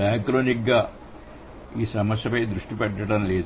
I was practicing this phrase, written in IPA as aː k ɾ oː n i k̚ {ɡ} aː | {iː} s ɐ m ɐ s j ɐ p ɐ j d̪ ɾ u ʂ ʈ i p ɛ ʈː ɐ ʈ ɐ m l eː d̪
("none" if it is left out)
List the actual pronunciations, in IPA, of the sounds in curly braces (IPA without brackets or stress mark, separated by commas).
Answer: ɡ, iː